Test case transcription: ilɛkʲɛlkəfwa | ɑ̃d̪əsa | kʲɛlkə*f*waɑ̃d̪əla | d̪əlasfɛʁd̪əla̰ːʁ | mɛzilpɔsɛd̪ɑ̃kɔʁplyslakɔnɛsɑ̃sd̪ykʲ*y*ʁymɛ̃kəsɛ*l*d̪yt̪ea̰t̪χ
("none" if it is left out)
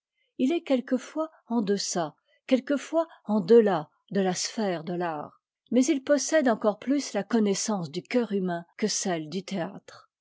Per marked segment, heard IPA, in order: f, œ, l

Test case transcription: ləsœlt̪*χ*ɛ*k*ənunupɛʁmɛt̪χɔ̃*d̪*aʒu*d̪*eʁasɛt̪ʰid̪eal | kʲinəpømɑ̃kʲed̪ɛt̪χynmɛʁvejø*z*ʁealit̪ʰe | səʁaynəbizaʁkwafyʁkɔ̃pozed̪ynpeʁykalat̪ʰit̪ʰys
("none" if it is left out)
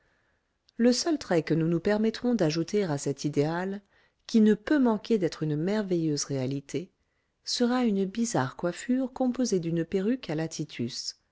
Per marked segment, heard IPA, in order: χ, k, d̪, t̪, z

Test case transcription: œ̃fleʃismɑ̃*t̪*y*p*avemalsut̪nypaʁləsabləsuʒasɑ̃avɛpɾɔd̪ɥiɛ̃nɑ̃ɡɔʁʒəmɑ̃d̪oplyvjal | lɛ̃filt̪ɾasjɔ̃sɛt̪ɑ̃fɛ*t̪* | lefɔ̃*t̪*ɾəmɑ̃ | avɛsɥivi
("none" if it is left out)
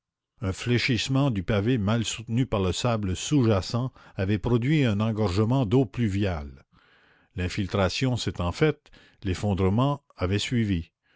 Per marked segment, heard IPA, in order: d̪, p, t̪, d̪

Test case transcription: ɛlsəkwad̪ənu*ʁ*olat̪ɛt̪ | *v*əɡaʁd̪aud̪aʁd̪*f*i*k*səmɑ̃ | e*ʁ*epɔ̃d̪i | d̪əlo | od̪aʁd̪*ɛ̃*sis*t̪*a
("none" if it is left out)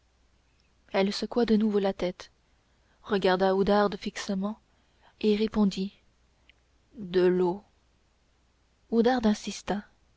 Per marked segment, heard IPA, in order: v, ʁ, f, k, ʁ, ɛ̃, t̪

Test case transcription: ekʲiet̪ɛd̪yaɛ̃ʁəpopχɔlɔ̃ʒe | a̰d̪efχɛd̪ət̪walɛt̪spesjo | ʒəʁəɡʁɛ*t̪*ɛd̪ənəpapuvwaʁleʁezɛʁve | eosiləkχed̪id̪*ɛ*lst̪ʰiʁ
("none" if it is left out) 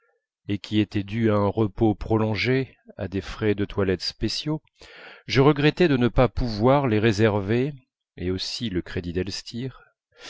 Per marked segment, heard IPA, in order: t̪, ɛ

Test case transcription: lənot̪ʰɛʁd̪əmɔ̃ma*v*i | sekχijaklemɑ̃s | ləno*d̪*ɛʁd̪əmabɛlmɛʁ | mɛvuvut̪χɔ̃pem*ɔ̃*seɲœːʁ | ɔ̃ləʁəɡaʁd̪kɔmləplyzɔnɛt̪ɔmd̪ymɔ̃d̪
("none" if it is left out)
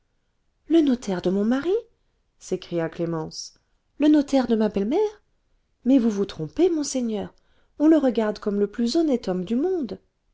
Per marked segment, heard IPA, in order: ʁ, t̪, ɔ̃

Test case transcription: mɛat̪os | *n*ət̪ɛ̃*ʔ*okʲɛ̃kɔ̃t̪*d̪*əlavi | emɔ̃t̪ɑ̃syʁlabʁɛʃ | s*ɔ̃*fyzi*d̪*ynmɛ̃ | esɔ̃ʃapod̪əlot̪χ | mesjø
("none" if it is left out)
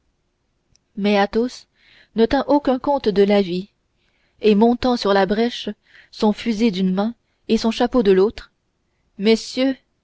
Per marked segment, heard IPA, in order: n, ʔ, d̪, ɔ̃, d̪

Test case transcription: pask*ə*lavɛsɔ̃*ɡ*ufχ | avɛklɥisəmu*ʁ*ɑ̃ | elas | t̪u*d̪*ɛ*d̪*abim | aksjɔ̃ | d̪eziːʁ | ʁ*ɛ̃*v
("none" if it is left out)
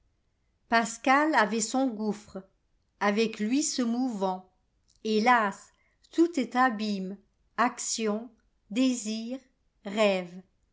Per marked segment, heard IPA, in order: a, ɡ, v, t̪, t̪, ɛ

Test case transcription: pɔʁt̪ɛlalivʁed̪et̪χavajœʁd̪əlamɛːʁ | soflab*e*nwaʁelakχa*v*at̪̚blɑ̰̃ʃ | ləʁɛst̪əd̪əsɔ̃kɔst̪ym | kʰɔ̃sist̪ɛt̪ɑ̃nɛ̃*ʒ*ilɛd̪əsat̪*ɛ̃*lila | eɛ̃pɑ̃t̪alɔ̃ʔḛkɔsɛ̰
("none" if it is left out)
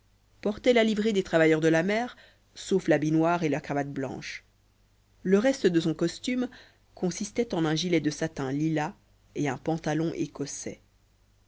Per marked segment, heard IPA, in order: i, v, ʒ, ɛ̃

